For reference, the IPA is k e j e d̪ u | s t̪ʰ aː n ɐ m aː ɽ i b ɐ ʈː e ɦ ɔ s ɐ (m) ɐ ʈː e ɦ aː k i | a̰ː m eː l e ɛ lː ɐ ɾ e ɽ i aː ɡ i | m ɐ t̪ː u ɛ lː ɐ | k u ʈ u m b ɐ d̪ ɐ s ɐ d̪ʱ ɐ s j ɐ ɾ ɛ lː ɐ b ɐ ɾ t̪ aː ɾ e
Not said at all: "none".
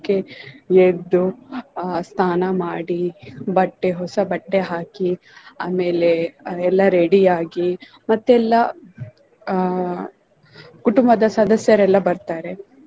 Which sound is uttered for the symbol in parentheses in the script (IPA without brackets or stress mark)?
b